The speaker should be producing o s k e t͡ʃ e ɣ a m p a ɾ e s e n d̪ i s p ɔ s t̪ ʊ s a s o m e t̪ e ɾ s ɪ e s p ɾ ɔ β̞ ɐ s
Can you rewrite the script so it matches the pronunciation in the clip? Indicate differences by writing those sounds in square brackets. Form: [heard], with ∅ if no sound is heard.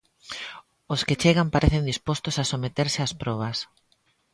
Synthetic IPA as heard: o s k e t͡ʃ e ɣ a m p a ɾ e [θ] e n d̪ i s p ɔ s t̪ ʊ s a s o m e t̪ e ɾ s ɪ [a] s p ɾ ɔ β̞ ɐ s